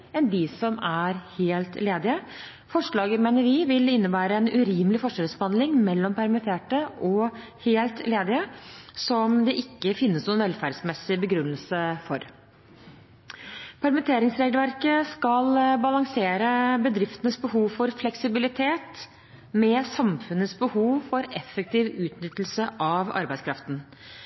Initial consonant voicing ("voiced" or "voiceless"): voiced